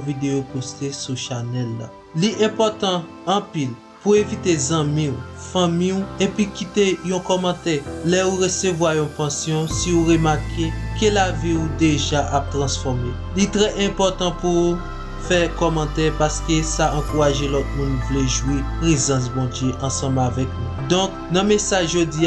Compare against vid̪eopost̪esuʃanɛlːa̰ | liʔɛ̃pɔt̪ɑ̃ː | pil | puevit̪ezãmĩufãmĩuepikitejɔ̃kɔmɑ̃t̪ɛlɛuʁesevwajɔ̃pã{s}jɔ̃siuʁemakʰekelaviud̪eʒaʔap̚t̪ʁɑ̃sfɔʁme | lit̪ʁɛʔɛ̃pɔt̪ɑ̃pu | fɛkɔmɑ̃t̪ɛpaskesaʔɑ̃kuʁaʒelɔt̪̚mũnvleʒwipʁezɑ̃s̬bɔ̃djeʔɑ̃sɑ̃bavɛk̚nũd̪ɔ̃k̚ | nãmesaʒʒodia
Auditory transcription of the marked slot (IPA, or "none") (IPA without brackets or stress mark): s